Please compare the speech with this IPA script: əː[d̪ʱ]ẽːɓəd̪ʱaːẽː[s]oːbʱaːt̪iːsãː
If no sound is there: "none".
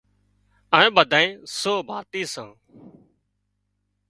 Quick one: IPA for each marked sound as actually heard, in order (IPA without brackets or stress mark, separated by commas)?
none, s